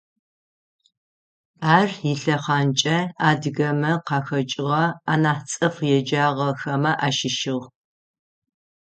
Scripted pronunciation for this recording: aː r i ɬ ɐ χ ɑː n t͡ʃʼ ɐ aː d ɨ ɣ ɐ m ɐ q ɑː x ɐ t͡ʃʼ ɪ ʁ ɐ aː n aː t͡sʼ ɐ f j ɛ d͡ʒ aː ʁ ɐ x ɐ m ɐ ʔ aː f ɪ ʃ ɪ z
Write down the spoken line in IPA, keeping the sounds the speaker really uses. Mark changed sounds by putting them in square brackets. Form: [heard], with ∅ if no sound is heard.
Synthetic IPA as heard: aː r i ɬ ɐ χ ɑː n t͡ʃʼ ɐ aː d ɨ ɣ ɐ m ɐ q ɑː x ɐ t͡ʃʼ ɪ ʁ ɐ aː n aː t͡sʼ ɐ f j ɛ d͡ʒ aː ʁ ɐ x ɐ m ɐ ʔ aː [ʃ] ɪ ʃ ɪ [ʁ]